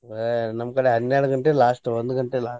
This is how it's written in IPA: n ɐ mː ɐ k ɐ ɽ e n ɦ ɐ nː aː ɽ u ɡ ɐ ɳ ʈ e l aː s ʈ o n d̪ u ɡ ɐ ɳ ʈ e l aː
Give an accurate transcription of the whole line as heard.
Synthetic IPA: n ɐ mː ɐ k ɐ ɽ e ɦ ɐ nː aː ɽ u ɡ ɐ ɳ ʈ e l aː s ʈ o n d̪ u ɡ ɐ ɳ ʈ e l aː